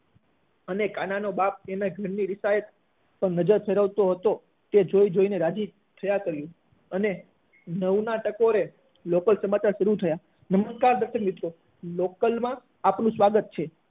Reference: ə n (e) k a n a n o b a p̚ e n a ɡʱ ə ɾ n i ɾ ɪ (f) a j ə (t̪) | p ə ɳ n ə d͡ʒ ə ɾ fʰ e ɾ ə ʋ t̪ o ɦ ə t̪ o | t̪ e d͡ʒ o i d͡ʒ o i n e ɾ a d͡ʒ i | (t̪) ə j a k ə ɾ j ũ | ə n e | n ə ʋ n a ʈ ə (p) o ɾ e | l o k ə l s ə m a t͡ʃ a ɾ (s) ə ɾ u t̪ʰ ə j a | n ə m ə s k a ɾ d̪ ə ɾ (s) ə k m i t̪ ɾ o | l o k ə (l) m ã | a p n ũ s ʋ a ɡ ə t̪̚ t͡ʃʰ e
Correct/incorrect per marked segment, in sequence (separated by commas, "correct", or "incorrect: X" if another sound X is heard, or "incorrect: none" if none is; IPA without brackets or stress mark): correct, incorrect: s, correct, incorrect: t̪ʰ, incorrect: k, incorrect: ʃ, incorrect: ʃ, correct